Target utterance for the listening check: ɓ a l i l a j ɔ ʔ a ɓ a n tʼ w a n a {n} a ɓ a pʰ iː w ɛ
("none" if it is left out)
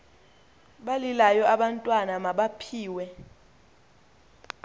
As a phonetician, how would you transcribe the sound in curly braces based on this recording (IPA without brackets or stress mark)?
m